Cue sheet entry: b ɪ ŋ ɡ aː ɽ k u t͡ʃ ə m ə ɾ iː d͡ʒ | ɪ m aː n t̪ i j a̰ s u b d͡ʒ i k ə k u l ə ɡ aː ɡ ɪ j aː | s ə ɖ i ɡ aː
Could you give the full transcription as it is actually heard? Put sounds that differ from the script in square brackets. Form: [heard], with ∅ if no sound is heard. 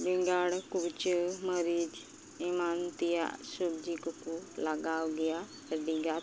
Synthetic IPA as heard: b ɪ ŋ ɡ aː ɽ k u t͡ʃ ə m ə ɾ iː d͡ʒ | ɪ m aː n t̪ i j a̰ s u b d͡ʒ i k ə k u l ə ɡ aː ɡ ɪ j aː | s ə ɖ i ɡ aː